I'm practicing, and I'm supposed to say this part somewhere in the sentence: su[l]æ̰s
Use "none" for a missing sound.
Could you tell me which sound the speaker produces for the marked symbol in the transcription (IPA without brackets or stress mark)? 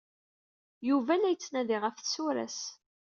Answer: ɾ